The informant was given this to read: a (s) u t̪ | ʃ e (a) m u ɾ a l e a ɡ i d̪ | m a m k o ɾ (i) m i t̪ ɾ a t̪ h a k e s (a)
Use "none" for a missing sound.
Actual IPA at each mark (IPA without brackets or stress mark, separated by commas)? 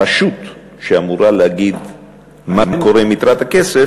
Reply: ʃ, a, e, e